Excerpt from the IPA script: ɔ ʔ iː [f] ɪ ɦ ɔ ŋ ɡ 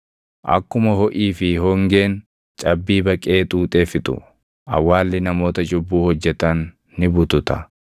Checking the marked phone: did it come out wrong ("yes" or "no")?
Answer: no